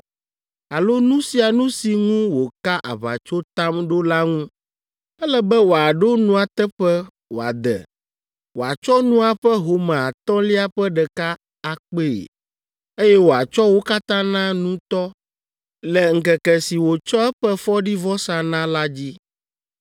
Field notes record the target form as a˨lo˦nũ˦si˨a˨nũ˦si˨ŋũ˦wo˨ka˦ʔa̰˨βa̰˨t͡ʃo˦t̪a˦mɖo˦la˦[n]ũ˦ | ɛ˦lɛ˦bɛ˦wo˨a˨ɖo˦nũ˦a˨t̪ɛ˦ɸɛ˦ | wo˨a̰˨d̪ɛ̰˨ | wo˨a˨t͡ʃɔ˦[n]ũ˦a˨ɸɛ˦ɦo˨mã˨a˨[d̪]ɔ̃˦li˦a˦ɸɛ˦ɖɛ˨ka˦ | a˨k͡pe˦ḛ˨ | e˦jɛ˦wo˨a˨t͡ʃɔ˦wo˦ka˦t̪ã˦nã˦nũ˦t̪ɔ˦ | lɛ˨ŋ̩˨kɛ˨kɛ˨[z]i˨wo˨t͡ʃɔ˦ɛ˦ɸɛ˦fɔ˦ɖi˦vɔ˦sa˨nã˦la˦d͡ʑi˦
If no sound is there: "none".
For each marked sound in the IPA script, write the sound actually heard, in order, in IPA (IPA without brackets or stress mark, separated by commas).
ŋ, n, t̪, s